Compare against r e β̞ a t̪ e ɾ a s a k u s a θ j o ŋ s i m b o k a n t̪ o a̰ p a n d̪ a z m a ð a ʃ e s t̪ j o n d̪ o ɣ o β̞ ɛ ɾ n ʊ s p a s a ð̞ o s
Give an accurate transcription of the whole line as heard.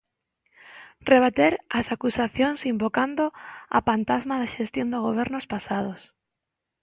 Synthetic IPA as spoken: r e β̞ a t̪ e ɾ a s a k u s a θ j o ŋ s i m b o k a n d̪ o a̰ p a n t̪ a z m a ð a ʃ e s t̪ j o n d̪ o ɣ o β̞ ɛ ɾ n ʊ s p a s a ð̞ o s